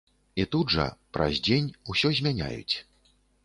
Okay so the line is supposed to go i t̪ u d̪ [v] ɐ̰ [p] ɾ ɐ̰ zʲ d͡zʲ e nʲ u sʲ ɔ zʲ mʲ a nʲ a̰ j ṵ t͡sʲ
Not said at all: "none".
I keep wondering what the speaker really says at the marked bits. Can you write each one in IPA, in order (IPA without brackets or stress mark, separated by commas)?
ʐ, p